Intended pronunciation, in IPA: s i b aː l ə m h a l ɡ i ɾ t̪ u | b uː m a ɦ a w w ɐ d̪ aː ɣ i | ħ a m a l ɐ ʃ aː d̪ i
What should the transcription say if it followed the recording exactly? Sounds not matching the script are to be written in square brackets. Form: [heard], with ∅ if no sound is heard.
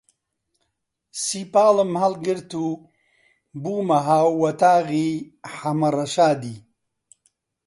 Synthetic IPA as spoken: s i [p] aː l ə m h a l ɡ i ɾ t̪ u | b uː m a ɦ a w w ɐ [t̪] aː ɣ i | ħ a m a [ɾ] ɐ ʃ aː d̪ i